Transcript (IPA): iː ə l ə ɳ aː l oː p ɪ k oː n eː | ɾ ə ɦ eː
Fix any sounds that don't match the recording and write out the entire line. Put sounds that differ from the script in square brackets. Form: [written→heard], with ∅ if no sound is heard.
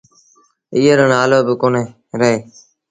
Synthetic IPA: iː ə [l→ɾ] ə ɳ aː l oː [p→b] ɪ k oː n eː | ɾ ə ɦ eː